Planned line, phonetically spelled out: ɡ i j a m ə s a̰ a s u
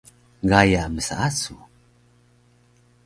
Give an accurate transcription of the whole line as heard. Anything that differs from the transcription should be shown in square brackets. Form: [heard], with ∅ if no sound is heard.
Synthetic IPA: ɡ [a] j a m ə s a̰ a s u